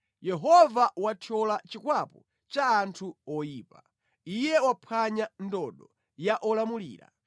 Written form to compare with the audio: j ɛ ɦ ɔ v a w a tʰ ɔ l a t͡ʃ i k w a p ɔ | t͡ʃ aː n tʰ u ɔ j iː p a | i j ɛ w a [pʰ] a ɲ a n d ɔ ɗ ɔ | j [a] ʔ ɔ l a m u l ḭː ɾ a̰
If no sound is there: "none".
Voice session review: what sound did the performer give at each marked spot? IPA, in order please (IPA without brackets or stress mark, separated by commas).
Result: pʰ, a